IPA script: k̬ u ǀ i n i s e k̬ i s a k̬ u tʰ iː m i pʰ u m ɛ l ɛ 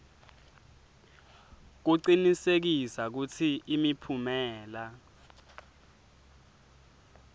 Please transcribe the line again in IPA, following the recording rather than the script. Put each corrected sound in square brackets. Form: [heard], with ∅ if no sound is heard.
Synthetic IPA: k̬ u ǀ i n i s e k̬ i s a k̬ u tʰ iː m i pʰ u m [ɛː] l [a]